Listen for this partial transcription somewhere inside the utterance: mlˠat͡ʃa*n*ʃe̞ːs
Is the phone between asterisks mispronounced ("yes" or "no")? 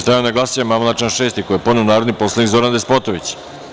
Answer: no